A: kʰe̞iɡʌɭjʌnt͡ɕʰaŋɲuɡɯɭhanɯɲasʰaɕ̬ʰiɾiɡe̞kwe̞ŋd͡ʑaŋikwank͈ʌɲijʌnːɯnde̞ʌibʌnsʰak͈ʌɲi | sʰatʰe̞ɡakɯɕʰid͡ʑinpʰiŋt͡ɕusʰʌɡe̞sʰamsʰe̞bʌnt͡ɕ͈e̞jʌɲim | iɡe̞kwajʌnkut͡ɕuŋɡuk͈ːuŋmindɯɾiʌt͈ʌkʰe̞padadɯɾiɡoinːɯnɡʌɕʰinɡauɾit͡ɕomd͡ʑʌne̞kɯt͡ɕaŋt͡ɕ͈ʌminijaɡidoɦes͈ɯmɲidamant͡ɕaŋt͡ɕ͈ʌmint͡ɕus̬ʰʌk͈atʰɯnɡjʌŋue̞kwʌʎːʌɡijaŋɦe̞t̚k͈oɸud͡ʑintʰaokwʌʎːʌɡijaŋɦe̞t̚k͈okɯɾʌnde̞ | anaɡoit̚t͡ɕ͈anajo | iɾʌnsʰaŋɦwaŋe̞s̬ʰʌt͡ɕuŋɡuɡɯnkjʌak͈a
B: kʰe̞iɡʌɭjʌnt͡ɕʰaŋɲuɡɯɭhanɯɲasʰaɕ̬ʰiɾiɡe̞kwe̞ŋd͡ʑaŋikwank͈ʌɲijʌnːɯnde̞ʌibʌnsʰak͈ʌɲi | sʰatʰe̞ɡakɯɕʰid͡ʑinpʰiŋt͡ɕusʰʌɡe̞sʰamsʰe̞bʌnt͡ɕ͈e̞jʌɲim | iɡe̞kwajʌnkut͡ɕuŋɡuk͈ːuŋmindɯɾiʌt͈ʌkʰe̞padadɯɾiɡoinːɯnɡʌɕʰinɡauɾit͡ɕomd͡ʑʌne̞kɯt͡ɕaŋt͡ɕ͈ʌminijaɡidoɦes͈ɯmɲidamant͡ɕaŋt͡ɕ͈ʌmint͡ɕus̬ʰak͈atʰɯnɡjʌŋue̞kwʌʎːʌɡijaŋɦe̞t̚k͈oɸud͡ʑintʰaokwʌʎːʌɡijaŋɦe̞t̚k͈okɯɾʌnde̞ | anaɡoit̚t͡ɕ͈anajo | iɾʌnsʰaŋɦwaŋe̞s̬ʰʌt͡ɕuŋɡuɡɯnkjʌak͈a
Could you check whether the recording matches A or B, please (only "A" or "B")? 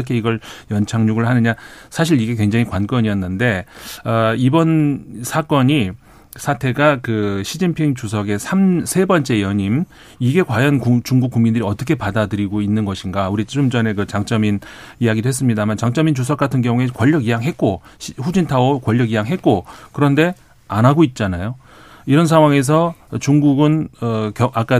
A